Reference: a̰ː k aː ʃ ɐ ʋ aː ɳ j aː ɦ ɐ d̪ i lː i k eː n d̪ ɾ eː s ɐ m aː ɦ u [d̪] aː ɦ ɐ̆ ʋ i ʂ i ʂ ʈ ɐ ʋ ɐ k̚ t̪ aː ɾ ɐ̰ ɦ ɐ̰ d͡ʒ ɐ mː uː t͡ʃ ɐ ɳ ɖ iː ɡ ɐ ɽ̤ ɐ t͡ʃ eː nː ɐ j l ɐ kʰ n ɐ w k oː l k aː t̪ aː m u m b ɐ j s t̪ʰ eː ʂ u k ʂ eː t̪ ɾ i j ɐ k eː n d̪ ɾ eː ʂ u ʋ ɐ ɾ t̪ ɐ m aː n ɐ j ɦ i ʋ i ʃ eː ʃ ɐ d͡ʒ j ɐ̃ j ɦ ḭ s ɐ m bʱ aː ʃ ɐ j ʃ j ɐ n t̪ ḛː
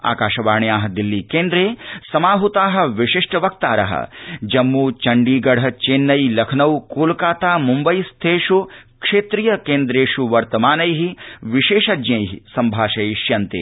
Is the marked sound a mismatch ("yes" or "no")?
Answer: yes